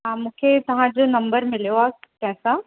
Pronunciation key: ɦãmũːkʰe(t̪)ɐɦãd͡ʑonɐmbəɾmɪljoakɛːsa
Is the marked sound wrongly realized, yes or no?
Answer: no